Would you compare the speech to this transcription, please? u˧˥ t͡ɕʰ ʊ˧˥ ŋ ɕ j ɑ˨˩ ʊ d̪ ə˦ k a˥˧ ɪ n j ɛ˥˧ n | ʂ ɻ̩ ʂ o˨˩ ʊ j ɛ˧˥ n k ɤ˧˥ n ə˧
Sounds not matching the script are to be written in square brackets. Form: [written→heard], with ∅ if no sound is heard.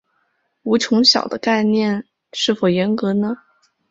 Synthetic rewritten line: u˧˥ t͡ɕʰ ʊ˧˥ ŋ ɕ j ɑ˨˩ ʊ d̪ ə˦ k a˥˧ ɪ n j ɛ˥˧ n | ʂ ɻ̩ [ʂ→f] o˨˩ ʊ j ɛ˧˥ n k ɤ˧˥ n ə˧